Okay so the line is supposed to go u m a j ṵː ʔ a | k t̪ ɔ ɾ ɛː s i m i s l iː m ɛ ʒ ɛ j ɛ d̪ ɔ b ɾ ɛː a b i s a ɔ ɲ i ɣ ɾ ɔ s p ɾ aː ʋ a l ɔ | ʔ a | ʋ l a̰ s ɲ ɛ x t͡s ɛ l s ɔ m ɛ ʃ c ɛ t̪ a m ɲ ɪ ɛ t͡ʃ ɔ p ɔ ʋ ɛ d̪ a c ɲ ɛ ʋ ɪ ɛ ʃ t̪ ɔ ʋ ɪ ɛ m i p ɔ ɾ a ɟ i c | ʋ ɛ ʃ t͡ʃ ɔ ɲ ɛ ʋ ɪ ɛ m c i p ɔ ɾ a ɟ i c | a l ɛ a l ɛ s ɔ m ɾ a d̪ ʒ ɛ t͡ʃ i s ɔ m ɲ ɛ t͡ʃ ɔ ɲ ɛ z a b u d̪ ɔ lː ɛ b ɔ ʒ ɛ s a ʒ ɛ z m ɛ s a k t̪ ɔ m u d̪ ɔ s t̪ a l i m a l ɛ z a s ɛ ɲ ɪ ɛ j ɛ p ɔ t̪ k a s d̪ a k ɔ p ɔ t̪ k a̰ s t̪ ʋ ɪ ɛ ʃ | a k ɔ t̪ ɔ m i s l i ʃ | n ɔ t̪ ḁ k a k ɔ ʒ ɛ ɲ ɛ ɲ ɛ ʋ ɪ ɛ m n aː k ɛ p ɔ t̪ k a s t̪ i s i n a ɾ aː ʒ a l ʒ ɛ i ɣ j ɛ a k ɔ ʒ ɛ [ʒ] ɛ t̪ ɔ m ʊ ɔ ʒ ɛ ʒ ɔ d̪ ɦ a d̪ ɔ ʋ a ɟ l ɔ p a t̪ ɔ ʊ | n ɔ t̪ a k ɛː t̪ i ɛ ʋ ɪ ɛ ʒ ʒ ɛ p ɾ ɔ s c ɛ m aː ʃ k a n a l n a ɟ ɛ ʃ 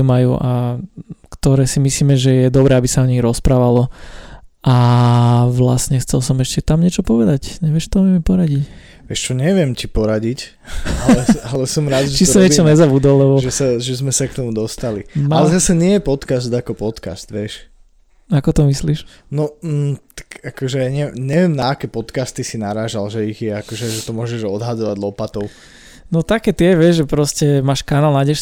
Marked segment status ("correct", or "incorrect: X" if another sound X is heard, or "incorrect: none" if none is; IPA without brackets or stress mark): correct